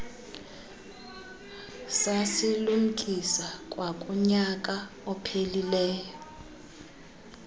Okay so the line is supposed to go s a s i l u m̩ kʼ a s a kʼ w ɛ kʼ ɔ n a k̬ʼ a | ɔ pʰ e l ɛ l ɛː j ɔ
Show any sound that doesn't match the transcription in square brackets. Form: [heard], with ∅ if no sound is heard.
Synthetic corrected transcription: s a s i l u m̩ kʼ [i] s a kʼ w [a] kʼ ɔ [ɲ] a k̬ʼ a | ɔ pʰ e l [i] l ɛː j ɔ